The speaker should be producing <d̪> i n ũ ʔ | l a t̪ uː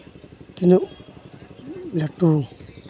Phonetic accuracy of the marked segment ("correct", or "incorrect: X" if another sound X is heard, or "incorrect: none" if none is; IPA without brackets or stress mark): incorrect: t̪